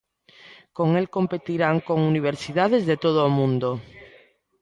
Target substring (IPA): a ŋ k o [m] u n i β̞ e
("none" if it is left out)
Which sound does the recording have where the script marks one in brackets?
ŋ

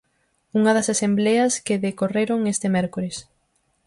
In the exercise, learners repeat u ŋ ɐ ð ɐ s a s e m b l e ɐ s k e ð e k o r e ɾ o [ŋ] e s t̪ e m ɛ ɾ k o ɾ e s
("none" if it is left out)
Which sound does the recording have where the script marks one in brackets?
ŋ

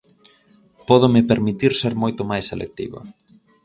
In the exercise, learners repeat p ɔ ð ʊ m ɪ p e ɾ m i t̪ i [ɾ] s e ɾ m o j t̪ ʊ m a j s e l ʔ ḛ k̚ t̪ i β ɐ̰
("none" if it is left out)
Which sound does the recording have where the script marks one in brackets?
ɾ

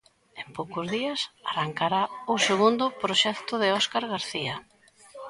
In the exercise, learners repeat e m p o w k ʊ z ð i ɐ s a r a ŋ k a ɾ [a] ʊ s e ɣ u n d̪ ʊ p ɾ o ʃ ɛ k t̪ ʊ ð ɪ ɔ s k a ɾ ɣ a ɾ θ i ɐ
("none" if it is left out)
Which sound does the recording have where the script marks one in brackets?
a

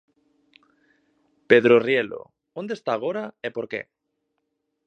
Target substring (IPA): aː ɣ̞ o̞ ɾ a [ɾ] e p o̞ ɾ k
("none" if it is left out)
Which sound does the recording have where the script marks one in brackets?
none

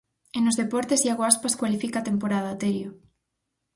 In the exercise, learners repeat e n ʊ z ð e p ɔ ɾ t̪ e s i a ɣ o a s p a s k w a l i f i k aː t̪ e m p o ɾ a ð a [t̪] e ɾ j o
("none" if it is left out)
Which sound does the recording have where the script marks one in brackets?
t̪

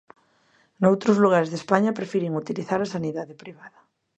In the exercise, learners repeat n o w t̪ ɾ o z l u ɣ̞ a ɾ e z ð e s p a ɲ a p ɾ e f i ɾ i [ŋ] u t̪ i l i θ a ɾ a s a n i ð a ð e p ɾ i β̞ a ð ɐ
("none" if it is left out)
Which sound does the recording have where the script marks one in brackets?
ŋ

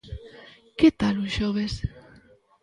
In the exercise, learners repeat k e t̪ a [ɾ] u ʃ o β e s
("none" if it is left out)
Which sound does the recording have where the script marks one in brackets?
l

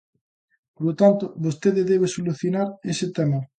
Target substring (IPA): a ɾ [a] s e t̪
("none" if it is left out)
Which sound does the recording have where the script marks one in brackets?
e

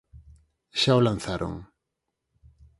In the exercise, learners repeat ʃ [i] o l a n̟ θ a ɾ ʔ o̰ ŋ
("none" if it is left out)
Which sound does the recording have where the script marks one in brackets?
a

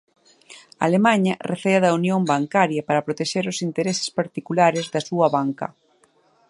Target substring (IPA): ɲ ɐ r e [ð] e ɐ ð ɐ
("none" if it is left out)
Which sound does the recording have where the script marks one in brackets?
θ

